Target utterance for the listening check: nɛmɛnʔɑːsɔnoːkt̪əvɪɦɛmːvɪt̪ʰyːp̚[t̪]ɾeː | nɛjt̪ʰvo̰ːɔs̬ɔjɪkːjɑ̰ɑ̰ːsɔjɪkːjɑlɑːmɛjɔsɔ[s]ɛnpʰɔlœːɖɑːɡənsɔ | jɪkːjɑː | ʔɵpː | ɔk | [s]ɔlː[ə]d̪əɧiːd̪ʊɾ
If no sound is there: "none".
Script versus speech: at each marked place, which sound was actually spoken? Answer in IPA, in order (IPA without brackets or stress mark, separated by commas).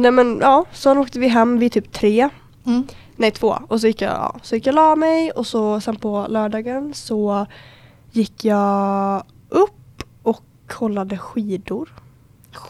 t̪ʰ, s, h, a